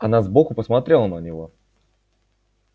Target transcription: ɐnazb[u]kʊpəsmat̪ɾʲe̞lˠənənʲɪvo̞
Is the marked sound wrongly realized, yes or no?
yes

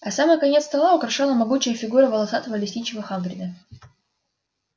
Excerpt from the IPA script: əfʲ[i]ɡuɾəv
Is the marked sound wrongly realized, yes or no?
yes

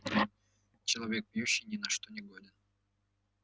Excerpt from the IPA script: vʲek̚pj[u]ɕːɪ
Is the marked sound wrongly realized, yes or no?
no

